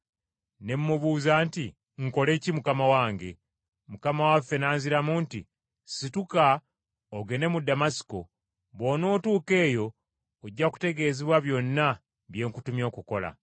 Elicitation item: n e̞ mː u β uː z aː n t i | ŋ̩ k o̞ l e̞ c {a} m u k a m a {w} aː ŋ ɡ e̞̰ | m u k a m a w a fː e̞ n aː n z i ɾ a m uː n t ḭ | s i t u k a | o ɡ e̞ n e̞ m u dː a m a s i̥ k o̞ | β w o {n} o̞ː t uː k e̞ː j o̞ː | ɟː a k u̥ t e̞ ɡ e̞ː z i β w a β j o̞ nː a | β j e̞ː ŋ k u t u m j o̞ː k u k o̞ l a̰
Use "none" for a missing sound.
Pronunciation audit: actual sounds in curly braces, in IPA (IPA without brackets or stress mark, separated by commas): i, w, n